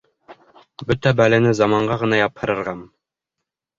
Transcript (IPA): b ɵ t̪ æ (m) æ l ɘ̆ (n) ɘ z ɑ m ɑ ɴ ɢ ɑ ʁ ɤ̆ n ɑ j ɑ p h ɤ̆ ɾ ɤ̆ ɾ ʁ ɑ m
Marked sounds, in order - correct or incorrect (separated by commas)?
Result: incorrect, correct